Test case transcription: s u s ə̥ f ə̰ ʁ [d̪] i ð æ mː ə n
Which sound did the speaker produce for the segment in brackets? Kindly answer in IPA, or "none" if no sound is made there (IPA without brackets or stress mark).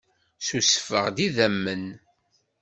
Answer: d̪